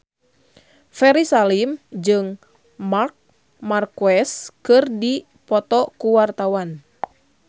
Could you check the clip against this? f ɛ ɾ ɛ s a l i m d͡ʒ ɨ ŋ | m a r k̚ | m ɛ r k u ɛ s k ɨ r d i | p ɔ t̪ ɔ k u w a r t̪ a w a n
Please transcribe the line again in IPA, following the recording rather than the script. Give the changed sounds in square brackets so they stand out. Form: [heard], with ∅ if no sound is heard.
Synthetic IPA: f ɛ ɾ [i] s a l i m d͡ʒ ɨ ŋ | m a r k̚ | m [a] r k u ɛ s k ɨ r d i | p ɔ t̪ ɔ k u w a r t̪ a w a n